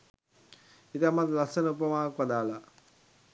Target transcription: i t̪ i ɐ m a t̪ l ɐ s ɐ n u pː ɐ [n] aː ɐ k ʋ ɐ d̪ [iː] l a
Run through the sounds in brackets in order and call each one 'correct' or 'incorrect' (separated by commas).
incorrect, incorrect